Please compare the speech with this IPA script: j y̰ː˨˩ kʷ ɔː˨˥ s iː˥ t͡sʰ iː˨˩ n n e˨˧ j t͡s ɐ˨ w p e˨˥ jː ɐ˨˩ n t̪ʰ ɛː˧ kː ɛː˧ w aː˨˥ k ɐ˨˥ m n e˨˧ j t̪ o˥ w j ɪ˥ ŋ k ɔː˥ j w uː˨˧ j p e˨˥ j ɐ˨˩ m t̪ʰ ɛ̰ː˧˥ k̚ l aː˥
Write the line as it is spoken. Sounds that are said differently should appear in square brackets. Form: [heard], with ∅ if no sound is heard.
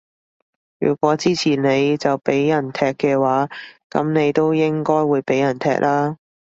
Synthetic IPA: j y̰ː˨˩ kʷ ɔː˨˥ [t͡s] iː˥ t͡sʰ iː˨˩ n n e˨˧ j t͡s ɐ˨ w p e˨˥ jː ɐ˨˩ n t̪ʰ ɛː˧ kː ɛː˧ w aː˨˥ k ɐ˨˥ m n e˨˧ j t̪ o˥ w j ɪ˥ ŋ k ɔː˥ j w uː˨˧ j p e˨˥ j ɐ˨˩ [n] t̪ʰ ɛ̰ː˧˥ k̚ l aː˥